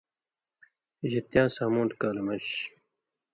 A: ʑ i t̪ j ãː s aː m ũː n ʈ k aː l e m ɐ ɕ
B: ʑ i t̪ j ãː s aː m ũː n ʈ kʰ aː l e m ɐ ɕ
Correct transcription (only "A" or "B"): A